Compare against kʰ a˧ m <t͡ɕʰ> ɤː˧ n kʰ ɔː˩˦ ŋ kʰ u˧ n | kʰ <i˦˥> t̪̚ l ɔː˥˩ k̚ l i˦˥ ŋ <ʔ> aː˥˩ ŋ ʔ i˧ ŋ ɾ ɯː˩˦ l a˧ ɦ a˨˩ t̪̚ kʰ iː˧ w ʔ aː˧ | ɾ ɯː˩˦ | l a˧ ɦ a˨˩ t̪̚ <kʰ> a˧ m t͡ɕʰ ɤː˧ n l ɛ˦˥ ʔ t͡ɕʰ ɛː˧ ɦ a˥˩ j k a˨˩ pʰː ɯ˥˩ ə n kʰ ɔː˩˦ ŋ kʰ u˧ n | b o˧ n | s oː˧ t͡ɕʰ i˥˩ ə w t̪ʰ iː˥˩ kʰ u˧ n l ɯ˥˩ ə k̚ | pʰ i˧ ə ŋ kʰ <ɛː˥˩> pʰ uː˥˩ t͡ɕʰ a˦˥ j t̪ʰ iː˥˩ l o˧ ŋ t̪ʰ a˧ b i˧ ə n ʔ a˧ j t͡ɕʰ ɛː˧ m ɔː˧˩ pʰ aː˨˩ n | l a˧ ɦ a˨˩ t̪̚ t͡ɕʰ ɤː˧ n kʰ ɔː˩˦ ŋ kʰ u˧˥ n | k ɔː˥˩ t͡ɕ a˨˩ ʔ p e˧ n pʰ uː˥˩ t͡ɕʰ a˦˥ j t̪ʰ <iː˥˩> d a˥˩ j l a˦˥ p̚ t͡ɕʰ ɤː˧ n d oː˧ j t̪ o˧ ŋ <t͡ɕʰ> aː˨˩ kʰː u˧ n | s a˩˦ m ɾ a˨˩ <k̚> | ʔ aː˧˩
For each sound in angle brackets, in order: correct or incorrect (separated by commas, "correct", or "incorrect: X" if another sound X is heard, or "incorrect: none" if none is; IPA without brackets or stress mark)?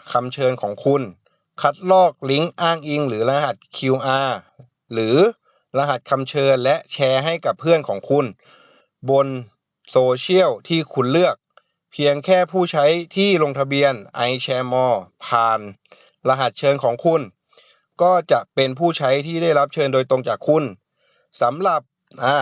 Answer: correct, incorrect: a˦˥, correct, correct, correct, correct, incorrect: t͡ɕ, incorrect: p̚